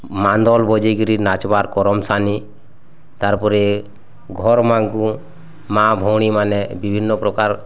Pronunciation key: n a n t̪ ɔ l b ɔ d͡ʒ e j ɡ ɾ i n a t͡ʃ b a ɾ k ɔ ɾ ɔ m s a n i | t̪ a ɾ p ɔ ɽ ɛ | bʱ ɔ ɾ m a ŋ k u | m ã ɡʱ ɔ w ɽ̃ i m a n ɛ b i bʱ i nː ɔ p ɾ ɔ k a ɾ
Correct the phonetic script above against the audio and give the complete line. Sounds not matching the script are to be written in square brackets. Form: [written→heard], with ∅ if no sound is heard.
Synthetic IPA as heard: [n→m] a n [t̪→d̪] ɔ l b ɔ d͡ʒ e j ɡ ɾ i n a t͡ʃ b a ɾ k ɔ ɾ ɔ m s a n i | t̪ a ɾ p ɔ [ɽ→ɾ] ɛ | [bʱ→ɡʱ] ɔ ɾ m a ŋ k u | m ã [ɡʱ→bʱ] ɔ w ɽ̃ i m a n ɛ b i bʱ i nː ɔ p ɾ ɔ k a ɾ